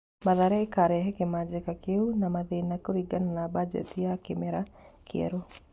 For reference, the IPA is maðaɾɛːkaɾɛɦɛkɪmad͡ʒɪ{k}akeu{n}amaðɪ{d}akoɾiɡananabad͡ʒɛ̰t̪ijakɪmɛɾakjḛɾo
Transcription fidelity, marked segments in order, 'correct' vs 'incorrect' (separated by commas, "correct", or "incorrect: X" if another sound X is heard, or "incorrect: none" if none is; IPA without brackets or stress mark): correct, correct, incorrect: n